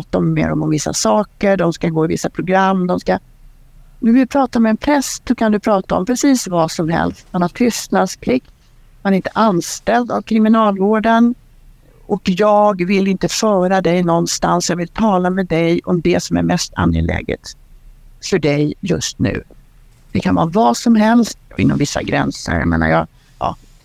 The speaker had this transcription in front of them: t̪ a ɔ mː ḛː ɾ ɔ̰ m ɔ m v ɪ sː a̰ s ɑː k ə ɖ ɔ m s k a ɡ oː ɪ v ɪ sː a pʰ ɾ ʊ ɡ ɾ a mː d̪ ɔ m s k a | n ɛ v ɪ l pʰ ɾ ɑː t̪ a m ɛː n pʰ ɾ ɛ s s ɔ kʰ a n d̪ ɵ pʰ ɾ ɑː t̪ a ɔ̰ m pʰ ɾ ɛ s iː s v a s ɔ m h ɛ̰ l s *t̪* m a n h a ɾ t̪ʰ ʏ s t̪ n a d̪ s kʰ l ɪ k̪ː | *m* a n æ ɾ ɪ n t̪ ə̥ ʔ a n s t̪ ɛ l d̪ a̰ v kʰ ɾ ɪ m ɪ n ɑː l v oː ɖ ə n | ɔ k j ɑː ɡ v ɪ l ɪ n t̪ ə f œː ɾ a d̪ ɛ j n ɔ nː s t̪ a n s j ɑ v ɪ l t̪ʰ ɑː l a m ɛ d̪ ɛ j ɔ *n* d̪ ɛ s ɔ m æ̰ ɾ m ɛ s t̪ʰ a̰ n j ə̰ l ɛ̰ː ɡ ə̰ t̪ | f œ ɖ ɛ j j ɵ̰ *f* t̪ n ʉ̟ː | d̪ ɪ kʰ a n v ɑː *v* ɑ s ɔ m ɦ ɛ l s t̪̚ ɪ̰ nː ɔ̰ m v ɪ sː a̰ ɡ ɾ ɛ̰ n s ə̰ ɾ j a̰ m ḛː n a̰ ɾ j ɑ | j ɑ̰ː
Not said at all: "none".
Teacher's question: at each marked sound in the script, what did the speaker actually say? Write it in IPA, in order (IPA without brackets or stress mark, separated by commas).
t̪, m, m, s, v